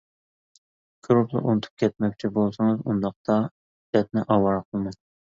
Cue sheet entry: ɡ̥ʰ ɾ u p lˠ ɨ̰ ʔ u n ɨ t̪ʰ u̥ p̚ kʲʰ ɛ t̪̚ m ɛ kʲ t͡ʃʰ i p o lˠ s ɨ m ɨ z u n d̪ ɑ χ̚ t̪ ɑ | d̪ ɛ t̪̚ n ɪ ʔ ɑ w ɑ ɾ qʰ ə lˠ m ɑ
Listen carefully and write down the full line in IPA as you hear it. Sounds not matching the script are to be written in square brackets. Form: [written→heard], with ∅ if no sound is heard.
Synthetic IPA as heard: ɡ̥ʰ ɾ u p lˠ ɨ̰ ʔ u n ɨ t̪ʰ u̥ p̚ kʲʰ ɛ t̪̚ m ɛ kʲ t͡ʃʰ i [p→b] o lˠ s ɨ [m→ŋ] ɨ z u n d̪ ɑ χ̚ t̪ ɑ | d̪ ɛ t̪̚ n ɪ ʔ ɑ w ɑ ɾ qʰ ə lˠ m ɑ